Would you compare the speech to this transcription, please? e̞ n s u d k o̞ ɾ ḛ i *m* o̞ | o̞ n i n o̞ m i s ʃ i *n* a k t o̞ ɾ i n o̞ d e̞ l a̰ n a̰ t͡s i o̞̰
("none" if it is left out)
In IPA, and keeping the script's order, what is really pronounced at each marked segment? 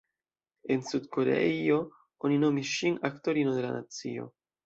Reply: none, n

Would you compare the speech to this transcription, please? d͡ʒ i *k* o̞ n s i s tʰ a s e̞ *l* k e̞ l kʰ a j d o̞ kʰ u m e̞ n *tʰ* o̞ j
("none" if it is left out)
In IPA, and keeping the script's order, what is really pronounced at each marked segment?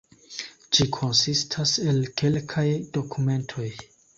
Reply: kʰ, l, tʰ

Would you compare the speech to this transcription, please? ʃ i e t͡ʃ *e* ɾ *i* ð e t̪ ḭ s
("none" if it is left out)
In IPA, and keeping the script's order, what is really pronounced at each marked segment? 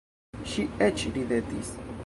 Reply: i, i

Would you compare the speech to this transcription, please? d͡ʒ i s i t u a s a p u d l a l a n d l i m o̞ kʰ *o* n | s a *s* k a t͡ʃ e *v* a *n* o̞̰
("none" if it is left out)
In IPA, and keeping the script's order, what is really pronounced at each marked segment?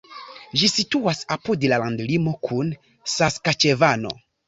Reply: u, s, v, n

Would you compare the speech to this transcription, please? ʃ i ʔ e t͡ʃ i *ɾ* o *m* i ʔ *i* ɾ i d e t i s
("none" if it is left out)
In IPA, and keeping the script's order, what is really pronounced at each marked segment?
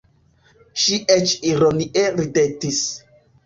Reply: ɾ, n, e

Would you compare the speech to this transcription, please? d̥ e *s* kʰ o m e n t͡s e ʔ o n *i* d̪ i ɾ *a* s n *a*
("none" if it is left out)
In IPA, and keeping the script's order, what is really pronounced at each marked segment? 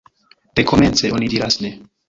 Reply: none, i, a, e

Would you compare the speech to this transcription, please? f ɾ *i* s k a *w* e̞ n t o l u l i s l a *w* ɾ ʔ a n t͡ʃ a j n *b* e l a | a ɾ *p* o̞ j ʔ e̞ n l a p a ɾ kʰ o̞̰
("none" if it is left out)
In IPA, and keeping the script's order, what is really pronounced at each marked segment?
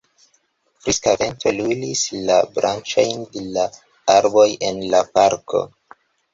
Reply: i, v, b, d, b

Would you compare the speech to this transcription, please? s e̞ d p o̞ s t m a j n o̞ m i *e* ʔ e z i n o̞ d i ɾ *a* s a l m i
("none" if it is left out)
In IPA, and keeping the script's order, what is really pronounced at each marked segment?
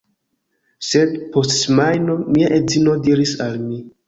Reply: a, i

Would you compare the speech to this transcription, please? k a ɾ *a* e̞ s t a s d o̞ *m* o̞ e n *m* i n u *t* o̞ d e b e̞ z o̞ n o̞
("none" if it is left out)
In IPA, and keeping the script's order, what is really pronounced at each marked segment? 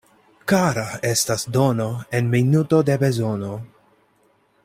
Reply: a, n, m, t

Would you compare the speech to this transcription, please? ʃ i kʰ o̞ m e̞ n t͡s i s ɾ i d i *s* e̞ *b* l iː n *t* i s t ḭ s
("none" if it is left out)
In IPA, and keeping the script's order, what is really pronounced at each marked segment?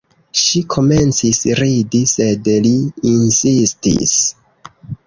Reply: s, d, s

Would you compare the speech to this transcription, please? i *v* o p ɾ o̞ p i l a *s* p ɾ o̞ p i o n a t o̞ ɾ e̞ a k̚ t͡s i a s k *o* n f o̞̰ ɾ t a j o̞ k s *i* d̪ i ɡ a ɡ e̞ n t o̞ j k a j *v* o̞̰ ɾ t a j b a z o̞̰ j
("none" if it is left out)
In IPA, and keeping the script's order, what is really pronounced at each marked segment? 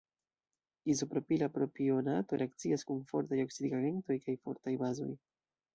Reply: z, none, u, i, f

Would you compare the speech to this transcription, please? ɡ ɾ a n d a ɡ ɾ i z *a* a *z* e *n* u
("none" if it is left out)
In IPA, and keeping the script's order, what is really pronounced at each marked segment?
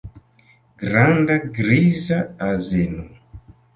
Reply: a, z, n

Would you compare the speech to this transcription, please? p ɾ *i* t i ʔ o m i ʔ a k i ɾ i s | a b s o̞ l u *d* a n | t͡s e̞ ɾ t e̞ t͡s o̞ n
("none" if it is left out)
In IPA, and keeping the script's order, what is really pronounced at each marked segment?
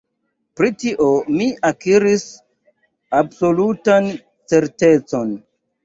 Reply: i, t

